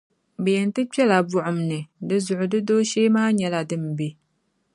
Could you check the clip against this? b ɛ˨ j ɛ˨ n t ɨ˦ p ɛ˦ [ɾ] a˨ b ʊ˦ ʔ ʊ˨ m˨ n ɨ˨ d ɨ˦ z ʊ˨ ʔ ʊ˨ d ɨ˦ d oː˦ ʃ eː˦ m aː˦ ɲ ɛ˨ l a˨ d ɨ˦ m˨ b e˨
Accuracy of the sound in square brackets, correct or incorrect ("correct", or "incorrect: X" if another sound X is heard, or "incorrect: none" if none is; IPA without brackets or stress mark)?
incorrect: l